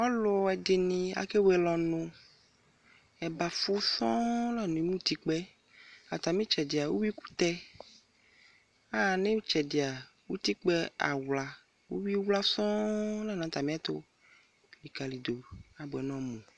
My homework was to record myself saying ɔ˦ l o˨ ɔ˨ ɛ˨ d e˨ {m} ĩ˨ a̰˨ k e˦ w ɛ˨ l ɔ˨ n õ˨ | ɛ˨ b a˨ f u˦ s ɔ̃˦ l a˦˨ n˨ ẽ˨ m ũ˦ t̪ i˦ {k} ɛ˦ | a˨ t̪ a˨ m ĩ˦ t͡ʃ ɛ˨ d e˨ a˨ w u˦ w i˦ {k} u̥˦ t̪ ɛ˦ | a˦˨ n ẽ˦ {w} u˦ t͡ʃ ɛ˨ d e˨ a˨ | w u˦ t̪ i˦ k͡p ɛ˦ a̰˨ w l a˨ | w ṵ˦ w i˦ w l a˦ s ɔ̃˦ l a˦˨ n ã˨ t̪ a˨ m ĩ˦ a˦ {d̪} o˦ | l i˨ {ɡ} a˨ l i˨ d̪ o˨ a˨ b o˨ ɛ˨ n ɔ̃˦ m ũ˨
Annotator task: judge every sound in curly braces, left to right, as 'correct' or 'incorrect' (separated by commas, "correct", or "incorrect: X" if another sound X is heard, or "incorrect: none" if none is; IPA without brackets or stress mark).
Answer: incorrect: n, incorrect: k͡p, correct, correct, incorrect: t̪, incorrect: k